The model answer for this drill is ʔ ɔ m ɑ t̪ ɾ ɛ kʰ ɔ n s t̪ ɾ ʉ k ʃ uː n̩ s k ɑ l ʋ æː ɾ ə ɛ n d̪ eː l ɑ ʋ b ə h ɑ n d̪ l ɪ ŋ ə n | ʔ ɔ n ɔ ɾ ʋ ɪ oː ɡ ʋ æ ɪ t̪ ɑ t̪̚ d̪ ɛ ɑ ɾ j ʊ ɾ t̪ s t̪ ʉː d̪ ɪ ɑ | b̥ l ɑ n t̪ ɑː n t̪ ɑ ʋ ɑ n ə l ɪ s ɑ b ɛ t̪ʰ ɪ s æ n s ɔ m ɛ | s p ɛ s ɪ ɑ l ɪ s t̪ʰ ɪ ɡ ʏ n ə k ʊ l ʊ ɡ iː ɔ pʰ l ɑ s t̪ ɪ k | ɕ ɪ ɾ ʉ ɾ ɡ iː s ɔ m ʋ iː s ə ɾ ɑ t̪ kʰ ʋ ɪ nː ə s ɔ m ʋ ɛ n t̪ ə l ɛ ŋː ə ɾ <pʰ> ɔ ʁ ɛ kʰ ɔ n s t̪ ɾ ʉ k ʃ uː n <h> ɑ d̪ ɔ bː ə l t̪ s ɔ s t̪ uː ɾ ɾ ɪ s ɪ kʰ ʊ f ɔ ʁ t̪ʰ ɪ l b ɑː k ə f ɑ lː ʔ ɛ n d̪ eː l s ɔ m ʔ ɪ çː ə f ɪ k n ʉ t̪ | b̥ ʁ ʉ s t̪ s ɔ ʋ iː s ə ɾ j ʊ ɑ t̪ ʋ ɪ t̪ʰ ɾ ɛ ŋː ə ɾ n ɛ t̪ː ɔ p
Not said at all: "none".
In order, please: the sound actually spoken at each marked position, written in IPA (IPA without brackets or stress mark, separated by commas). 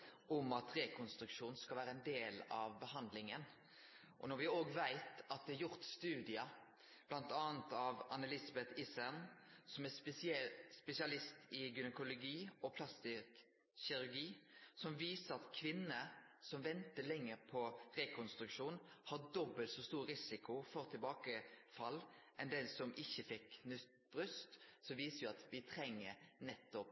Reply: pʰ, h